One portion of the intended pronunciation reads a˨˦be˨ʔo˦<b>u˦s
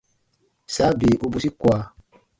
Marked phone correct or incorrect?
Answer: correct